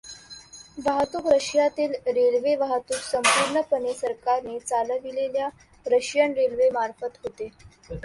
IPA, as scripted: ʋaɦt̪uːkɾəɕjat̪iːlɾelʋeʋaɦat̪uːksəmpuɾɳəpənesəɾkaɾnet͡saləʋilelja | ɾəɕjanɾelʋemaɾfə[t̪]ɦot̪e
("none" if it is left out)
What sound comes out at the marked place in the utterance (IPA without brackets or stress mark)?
t̪